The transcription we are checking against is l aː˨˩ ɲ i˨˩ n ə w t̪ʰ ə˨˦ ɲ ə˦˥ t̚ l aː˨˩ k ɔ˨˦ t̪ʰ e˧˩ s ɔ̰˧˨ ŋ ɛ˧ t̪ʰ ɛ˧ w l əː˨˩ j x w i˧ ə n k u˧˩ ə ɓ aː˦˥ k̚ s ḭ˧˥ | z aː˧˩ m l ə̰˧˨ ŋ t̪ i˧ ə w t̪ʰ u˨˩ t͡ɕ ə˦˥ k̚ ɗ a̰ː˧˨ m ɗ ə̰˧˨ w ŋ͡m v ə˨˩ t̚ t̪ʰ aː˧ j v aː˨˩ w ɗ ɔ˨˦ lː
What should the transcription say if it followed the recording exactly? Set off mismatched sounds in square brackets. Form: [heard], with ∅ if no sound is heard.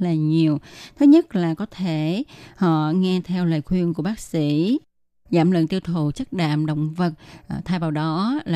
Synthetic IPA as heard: l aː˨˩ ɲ i˨˩ [∅] ə w t̪ʰ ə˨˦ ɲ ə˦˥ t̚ l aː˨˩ k ɔ˨˦ t̪ʰ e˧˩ [h] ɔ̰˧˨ ŋ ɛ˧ t̪ʰ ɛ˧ w l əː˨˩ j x w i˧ ə n k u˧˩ ə ɓ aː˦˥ k̚ s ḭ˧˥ | z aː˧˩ m l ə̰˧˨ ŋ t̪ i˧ ə w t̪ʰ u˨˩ t͡ɕ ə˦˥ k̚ ɗ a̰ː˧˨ m ɗ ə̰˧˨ w ŋ͡m v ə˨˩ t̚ t̪ʰ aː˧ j v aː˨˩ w ɗ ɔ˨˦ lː